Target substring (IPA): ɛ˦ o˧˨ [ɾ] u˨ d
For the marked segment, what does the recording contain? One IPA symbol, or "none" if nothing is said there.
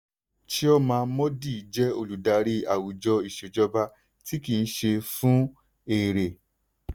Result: l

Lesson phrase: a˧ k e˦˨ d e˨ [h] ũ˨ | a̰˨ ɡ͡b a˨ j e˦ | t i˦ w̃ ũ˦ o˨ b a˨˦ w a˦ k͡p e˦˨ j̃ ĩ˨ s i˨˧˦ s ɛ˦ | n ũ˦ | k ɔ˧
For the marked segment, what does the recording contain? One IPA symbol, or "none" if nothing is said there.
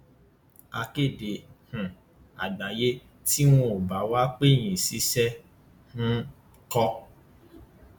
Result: h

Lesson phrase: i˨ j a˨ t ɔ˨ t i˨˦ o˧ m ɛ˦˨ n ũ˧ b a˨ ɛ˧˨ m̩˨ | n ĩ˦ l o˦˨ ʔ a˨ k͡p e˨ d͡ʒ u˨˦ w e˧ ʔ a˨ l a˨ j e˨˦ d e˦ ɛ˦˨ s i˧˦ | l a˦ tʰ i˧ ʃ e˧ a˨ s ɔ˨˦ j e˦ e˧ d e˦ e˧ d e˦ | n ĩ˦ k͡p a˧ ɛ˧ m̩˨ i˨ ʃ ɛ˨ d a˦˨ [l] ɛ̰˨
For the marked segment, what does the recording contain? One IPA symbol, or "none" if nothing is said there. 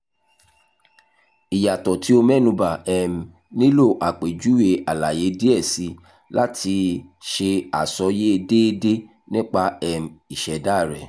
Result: ɾ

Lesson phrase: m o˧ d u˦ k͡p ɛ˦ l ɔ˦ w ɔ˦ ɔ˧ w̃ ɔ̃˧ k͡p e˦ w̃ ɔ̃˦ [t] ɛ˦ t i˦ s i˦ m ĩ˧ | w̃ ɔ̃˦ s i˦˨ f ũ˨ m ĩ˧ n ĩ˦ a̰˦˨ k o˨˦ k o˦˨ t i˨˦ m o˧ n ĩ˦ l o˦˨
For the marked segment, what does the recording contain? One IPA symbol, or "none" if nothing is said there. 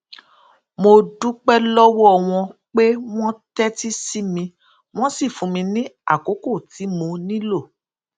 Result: t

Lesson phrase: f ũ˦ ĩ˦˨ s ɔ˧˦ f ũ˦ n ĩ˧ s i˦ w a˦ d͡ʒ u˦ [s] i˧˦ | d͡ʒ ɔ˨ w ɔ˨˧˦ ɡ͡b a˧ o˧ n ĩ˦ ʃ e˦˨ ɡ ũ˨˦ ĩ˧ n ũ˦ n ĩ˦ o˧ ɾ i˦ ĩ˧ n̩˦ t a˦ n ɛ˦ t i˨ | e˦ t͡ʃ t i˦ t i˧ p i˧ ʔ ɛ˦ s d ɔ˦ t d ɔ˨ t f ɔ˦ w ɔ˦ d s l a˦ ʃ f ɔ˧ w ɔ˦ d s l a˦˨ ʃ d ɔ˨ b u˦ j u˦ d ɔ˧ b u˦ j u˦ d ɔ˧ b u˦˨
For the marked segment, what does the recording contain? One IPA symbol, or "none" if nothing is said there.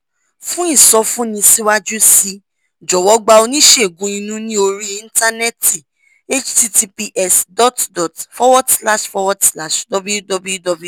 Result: s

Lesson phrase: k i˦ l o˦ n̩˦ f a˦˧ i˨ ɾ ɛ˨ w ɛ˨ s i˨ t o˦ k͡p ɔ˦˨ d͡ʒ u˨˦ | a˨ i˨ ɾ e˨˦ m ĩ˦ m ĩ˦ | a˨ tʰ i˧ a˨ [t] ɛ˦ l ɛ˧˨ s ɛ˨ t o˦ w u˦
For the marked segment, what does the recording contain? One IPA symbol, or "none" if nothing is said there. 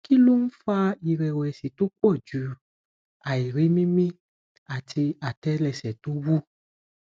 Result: t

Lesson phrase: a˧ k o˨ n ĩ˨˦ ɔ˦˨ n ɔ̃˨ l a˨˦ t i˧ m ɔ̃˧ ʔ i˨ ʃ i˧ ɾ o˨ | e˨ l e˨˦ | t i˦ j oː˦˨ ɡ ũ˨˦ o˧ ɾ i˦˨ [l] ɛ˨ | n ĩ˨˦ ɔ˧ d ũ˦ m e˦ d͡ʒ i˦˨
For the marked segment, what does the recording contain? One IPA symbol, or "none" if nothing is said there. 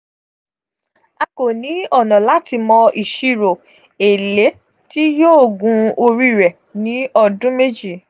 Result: ɾ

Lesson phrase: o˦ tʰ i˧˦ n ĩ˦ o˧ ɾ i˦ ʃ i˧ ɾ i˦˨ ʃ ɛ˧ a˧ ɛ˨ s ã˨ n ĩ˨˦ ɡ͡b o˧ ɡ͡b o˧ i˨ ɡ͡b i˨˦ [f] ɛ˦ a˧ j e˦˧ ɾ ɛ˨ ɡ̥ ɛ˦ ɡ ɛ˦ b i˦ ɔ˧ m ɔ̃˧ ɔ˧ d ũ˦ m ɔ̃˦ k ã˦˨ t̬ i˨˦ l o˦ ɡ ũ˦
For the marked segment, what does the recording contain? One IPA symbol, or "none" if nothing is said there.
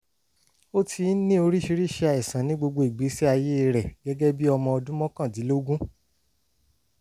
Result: s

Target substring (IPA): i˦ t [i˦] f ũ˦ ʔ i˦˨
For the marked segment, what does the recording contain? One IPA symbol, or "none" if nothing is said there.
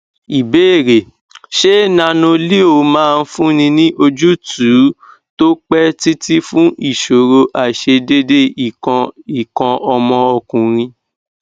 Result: i˦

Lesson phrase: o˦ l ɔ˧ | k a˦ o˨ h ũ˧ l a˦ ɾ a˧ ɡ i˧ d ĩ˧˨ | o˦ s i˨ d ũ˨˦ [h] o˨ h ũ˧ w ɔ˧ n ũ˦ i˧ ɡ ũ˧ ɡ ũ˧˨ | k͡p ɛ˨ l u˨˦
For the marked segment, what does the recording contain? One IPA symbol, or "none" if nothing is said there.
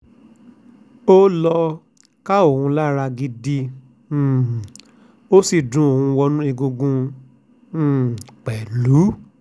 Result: none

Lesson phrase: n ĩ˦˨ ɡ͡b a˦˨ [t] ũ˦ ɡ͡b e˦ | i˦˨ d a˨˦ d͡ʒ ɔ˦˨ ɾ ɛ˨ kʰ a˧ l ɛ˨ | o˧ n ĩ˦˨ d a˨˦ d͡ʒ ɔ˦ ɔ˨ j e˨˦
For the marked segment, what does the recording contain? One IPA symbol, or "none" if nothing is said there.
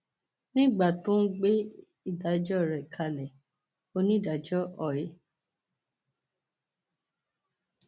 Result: t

